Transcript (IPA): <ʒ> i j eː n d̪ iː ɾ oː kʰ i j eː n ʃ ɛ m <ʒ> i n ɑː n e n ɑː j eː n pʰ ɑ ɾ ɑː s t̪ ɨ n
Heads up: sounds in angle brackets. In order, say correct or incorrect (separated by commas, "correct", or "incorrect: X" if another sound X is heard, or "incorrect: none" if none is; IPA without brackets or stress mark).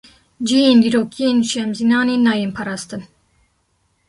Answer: incorrect: d͡ʒ, incorrect: z